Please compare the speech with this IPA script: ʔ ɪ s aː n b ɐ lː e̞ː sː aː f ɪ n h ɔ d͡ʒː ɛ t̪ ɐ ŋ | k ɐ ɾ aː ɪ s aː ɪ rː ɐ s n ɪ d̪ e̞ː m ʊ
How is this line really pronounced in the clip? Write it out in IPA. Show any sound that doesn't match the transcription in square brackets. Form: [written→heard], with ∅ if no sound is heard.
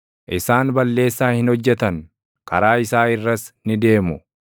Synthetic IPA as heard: ʔ ɪ s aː n b ɐ lː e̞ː sː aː [f→h] ɪ n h ɔ d͡ʒː ɛ t̪ ɐ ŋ | k ɐ ɾ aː ɪ s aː ɪ rː ɐ s n ɪ d̪ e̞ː m ʊ